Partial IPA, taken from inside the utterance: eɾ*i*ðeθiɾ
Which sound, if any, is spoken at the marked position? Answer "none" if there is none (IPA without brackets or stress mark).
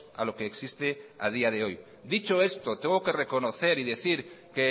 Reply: i